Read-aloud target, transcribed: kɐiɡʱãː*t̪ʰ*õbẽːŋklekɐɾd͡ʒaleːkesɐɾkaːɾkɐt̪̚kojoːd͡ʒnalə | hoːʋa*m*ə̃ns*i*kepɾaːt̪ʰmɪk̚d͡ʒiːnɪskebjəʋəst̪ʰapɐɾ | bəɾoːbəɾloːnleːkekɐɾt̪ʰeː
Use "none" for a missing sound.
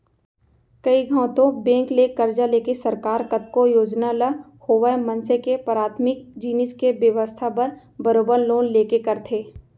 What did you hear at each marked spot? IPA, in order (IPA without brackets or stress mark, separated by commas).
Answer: t̪, m, e